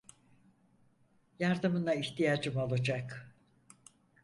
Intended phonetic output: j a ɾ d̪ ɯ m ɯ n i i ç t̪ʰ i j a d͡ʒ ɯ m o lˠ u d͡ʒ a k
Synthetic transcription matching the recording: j a ɾ d̪ ɯ m ɯ n a i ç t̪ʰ i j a d͡ʒ ɯ m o lˠ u d͡ʒ a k

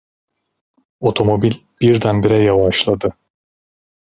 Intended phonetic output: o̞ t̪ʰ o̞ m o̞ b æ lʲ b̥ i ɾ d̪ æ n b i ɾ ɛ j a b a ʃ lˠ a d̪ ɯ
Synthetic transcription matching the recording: o̞ t̪ʰ o̞ m o̞ b i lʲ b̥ i ɾ d̪ æ n b i ɾ ɛ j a v a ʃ lˠ a d̪ ɯ

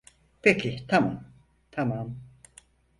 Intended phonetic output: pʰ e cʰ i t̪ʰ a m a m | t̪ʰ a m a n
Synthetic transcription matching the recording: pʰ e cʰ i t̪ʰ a m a m | t̪ʰ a m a m

